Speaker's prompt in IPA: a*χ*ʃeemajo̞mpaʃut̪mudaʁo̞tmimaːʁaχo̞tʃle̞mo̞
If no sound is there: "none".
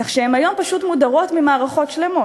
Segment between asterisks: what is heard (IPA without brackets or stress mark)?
χ